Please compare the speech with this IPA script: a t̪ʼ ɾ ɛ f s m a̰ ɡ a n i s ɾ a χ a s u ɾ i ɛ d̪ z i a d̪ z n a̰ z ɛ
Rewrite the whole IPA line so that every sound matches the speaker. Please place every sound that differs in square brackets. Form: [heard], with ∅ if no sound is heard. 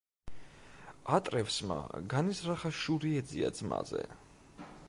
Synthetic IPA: a t̪ʼ ɾ ɛ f s m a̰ ɡ a n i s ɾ a χ a [ʃ] u ɾ i ɛ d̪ z i a d̪ z [m] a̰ z ɛ